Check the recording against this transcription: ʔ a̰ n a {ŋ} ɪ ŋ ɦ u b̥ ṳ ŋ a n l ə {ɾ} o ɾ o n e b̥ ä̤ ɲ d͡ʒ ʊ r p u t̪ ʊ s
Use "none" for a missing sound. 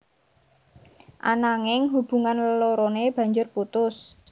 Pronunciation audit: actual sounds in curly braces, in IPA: ŋ, l

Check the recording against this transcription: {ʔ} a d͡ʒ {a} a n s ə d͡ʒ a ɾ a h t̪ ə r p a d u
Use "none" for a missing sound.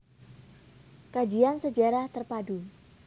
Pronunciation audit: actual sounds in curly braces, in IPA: k, i

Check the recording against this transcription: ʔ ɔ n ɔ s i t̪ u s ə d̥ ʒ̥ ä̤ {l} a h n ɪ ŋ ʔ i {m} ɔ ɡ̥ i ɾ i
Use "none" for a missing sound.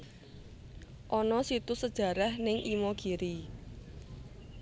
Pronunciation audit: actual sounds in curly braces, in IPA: ɾ, m

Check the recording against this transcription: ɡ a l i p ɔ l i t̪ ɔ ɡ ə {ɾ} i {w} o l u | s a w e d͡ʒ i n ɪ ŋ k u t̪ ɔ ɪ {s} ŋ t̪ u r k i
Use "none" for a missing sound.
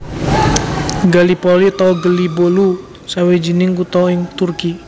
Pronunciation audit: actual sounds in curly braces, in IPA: l, b, none

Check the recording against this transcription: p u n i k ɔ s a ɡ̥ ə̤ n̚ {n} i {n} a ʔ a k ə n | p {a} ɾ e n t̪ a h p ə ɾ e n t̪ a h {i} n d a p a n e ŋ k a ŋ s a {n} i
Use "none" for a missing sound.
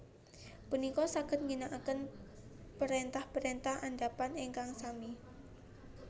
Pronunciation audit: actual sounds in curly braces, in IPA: ŋ, n, ə, a, m

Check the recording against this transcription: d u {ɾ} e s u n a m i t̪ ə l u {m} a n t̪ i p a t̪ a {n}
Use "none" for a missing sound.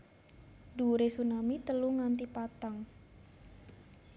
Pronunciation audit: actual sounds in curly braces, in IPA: ɾ, ŋ, ŋ

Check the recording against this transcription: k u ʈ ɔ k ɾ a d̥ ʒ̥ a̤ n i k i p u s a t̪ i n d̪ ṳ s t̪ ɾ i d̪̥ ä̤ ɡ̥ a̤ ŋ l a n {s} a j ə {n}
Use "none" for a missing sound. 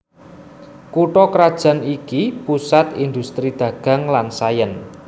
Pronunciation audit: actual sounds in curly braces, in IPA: s, n

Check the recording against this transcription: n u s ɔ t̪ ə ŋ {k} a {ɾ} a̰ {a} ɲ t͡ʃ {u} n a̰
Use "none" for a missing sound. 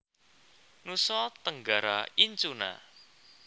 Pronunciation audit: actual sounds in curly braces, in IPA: ɡ, ɾ, i, u

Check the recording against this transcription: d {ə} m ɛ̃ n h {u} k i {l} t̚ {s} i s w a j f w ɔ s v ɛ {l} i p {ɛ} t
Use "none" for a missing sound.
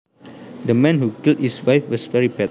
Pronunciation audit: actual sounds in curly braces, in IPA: ə, u, l, h, ɹ, ɛ

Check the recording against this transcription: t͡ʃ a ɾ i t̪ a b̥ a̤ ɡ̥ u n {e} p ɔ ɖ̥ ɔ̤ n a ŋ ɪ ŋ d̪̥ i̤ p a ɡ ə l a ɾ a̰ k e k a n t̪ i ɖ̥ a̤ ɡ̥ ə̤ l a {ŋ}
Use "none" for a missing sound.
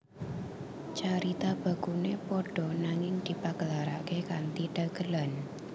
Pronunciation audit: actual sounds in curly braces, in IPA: e, n

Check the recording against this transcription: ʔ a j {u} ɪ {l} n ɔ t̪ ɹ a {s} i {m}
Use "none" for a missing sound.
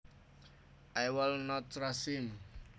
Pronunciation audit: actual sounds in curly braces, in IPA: w, l, s, m

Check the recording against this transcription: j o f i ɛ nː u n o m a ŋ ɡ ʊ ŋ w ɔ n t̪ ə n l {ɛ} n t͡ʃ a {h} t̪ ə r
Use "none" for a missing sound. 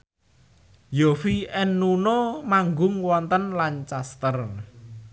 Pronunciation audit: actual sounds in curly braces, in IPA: a, s

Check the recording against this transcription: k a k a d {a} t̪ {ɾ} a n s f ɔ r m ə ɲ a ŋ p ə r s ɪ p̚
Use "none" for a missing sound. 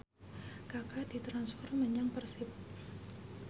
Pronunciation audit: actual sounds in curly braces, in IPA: i, ɾ

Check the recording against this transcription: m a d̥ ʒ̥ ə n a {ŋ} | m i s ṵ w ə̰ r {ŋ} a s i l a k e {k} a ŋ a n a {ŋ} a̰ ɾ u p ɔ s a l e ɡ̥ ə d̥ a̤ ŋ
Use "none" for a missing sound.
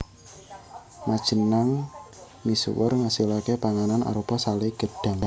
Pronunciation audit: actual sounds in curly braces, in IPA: ŋ, ŋ, p, n

